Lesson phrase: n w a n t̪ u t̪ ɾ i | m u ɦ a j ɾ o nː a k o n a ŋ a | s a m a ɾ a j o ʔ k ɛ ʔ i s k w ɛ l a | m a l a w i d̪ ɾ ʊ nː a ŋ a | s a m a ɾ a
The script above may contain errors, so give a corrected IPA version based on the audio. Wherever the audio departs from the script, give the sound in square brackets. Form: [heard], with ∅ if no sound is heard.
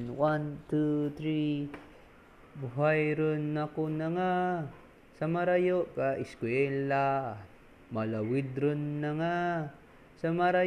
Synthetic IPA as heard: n w a n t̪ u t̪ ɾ i | [b] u ɦ a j ɾ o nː a k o n a ŋ a | s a m a ɾ a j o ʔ k [a] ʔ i s k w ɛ l a | m a l a w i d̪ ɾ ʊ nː a ŋ a | s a m a ɾ a